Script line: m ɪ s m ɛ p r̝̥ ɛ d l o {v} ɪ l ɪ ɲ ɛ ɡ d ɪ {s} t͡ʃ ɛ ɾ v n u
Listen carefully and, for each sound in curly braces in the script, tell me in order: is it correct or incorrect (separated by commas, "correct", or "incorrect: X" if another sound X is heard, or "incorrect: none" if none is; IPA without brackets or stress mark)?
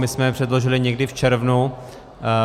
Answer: incorrect: ʒ, incorrect: f